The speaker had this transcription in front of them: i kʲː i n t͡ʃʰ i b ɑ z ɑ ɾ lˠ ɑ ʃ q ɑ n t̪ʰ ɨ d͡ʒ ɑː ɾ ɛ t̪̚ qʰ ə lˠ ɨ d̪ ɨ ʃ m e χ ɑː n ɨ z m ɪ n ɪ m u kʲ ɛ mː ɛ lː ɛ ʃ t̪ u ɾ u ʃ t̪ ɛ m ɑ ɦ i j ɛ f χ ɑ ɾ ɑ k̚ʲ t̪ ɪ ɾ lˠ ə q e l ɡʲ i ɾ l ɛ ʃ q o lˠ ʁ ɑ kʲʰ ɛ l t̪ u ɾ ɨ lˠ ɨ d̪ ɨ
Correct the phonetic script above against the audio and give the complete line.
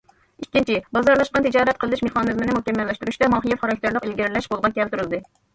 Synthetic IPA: i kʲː i n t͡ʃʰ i b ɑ z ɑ ɾ lˠ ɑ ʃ q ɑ n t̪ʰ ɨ d͡ʒ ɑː ɾ ɛ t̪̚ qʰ ə lˠ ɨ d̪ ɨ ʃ m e χ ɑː n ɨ z m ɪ n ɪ m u kʲ ɛ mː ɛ lː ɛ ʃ t̪ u ɾ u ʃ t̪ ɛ m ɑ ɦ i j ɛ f χ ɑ ɾ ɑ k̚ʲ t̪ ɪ ɾ lˠ ə q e l ɡʲ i ɾ l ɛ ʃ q o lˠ ʁ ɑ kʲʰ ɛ l t̪ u ɾ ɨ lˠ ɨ d̪ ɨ